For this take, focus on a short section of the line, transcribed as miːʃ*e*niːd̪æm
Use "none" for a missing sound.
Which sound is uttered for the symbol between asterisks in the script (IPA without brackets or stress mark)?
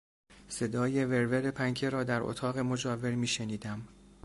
e